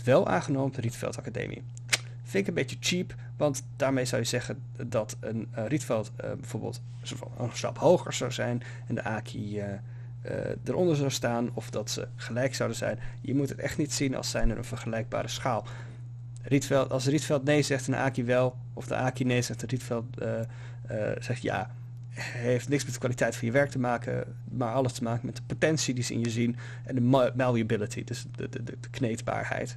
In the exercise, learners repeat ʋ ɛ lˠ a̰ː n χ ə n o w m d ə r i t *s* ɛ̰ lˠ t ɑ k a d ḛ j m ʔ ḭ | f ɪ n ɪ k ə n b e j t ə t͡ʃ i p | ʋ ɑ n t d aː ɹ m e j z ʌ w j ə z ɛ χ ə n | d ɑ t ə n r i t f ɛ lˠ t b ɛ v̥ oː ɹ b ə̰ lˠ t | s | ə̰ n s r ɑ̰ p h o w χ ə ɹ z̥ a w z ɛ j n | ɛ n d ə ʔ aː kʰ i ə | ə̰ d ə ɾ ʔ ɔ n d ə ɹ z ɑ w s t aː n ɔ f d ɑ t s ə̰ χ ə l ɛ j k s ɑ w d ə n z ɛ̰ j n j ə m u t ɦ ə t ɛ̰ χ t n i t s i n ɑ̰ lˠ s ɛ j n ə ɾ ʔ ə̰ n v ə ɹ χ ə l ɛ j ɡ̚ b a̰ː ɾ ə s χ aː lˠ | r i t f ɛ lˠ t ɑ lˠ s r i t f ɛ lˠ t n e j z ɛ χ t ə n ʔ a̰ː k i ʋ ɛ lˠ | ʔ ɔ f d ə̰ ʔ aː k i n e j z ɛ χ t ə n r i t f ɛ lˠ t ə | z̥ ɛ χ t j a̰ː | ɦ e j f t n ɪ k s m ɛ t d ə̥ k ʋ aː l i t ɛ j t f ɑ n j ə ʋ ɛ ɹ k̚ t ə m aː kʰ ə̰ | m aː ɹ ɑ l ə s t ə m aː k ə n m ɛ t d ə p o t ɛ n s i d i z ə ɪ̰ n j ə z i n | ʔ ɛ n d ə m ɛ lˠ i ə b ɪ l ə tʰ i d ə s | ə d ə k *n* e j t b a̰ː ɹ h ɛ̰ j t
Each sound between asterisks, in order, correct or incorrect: incorrect, correct

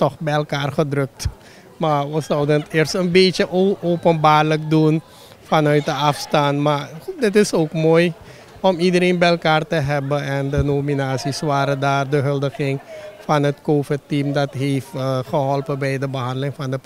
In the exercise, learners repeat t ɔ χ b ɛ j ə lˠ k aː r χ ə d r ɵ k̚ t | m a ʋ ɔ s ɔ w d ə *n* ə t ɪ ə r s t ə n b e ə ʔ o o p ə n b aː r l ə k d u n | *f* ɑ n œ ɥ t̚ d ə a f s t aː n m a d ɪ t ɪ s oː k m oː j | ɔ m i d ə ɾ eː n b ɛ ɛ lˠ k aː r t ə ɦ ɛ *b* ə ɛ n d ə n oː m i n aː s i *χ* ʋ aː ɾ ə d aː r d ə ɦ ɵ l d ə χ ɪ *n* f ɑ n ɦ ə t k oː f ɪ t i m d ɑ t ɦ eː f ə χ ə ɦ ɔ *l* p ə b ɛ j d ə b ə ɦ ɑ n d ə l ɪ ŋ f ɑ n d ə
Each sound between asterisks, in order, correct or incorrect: correct, correct, correct, incorrect, incorrect, correct

